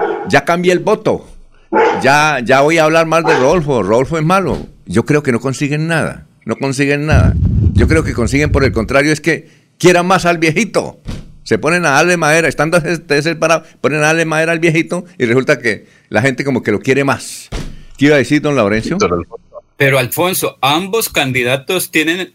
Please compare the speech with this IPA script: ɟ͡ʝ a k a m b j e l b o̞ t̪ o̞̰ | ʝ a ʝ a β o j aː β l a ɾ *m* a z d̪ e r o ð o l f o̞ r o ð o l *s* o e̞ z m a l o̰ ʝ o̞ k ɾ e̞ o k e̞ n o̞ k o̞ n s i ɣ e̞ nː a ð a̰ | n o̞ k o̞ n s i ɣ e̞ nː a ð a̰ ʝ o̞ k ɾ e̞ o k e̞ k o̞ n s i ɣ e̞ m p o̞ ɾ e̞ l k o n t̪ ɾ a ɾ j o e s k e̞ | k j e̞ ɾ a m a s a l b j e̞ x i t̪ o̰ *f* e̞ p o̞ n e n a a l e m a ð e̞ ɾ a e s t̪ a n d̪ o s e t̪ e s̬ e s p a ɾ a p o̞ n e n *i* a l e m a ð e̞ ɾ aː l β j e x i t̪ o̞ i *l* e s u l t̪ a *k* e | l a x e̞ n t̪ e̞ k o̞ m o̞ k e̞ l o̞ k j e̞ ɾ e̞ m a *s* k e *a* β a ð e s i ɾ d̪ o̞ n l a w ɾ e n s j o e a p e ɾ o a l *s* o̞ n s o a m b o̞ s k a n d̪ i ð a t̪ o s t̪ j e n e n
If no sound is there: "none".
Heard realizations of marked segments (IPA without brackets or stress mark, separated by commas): m, f, s, a, r, k, s, i, f